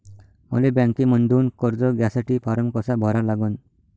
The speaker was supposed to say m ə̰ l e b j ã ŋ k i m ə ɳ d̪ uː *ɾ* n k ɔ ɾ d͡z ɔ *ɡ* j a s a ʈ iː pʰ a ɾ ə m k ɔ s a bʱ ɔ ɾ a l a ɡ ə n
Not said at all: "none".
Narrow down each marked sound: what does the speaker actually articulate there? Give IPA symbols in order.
none, ɡ

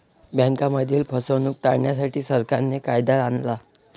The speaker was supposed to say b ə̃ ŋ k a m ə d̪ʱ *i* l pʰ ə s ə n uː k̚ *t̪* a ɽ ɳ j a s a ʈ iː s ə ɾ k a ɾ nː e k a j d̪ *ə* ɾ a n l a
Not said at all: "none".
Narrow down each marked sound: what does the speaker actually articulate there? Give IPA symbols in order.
iː, t̪, a

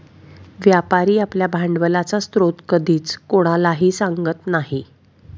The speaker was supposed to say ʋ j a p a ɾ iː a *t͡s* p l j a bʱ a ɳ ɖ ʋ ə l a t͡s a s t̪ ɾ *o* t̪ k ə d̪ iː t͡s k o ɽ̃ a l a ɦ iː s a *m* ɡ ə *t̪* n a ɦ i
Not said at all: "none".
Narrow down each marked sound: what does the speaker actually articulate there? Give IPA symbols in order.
none, o, ŋ, t̪

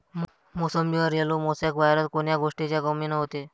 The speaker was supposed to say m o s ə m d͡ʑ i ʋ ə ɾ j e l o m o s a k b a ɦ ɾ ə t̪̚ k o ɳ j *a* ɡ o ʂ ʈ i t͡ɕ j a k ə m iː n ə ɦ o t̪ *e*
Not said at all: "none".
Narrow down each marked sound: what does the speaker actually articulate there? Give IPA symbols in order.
a, e

